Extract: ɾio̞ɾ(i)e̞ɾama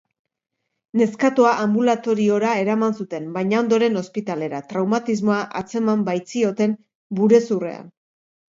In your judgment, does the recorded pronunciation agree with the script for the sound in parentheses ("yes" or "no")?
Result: no